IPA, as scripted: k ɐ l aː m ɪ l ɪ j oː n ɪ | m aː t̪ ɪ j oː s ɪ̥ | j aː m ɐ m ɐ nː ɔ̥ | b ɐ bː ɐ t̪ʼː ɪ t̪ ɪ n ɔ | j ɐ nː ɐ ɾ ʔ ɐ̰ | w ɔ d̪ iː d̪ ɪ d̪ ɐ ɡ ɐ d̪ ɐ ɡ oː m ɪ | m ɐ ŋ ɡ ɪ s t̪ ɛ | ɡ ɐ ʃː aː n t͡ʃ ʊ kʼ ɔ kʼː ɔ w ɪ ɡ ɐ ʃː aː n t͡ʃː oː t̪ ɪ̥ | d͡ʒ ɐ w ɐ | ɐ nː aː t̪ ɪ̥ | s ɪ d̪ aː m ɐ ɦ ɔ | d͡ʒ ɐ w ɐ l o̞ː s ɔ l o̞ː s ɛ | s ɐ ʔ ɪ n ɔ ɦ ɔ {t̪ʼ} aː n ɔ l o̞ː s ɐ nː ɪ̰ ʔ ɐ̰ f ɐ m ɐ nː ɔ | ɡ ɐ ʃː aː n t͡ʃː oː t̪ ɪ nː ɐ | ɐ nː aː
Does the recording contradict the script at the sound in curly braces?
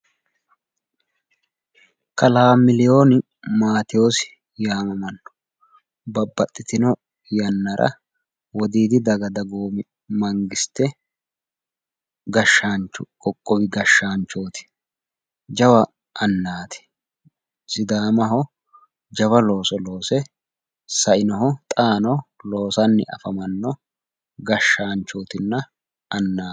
no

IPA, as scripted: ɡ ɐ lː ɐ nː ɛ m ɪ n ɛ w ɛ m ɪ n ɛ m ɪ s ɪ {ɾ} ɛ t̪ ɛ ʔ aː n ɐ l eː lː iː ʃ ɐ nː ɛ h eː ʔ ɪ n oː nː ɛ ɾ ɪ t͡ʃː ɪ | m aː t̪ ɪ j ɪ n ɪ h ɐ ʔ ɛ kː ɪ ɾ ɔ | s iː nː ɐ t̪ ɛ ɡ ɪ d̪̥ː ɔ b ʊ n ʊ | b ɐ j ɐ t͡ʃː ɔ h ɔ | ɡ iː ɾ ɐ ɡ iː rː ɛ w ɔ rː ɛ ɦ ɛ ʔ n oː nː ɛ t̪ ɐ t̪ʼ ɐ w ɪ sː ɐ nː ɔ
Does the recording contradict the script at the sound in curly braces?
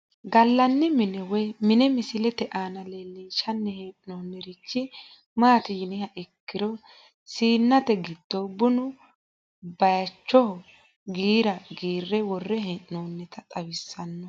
yes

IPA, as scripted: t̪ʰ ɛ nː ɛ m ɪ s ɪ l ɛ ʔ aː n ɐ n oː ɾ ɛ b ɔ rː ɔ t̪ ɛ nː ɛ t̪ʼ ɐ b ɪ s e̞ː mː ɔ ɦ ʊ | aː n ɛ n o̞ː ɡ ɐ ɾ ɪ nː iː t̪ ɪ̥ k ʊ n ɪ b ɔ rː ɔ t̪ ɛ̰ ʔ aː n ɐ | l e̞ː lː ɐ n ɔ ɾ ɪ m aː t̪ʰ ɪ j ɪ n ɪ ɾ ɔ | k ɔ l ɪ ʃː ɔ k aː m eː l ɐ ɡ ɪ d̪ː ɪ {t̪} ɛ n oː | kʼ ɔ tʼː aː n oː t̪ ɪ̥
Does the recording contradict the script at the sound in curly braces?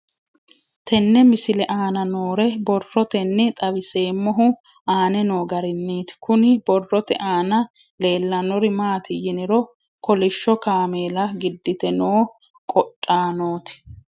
no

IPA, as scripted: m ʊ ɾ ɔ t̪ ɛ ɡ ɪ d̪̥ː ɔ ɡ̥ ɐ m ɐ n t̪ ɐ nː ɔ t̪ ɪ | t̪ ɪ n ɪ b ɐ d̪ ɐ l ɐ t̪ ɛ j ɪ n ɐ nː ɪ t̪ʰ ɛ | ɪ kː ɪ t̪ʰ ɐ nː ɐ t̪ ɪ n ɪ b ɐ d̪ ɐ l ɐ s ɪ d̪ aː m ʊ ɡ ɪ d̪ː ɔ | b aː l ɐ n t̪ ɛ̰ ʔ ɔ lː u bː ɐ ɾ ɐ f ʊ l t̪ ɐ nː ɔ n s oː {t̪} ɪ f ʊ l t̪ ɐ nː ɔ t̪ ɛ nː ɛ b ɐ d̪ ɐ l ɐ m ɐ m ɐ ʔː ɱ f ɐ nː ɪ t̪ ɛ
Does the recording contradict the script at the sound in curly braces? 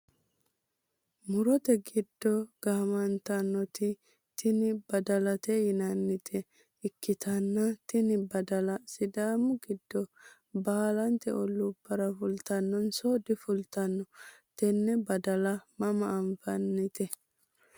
yes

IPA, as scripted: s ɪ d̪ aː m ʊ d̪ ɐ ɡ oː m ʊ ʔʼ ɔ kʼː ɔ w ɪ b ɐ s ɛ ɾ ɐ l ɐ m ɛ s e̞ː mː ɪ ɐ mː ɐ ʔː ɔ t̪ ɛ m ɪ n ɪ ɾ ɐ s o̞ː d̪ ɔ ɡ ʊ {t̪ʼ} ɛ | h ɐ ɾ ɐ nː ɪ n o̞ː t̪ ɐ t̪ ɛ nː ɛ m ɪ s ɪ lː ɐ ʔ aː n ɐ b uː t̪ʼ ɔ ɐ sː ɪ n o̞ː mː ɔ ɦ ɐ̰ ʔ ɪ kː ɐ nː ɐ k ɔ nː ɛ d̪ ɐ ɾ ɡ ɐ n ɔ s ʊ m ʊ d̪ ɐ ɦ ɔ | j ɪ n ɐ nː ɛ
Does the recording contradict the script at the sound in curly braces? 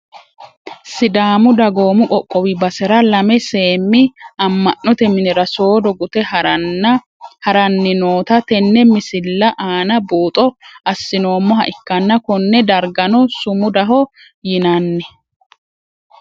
yes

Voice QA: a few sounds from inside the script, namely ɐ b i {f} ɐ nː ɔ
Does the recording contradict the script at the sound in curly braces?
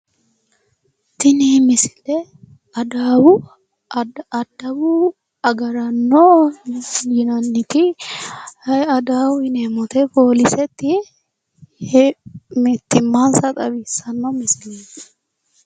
yes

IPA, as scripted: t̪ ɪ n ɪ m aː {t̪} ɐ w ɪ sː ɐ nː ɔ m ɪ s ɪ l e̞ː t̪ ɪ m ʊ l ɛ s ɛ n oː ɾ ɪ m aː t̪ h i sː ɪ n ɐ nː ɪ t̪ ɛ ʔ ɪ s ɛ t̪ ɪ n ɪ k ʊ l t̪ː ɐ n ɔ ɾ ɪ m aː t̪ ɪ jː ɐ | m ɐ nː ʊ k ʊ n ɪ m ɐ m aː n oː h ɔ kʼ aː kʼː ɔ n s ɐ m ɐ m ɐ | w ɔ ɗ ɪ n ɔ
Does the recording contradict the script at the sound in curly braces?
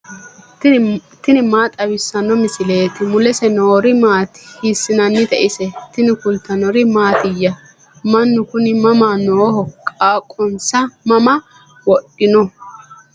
yes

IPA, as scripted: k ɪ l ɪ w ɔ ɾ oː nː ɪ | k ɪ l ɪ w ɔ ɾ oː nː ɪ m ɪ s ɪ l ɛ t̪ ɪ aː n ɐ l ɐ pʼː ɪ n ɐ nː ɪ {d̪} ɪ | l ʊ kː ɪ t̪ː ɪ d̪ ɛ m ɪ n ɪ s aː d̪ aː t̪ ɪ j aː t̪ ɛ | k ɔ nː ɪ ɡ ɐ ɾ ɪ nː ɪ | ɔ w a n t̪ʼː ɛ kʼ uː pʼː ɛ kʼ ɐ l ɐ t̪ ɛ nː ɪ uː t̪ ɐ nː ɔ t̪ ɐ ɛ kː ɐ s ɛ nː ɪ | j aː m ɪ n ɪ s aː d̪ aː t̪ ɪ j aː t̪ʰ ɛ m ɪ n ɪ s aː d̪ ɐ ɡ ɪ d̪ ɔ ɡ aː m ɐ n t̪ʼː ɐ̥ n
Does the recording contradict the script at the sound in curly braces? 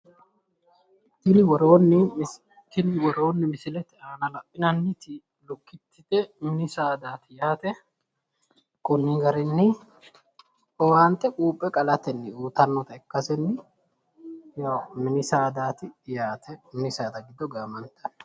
yes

